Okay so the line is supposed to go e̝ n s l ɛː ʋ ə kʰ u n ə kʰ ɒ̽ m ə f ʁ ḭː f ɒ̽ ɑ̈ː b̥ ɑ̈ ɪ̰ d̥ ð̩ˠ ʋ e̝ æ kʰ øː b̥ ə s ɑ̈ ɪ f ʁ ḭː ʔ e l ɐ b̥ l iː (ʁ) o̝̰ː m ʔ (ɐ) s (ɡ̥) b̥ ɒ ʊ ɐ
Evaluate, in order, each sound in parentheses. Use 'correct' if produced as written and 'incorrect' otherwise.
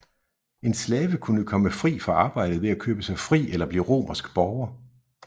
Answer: correct, correct, correct

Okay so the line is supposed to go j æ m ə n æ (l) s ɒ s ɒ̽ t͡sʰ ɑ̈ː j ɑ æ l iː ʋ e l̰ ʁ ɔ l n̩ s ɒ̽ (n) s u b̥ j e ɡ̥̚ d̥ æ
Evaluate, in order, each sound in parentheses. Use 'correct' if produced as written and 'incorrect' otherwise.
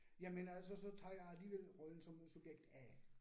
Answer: correct, incorrect

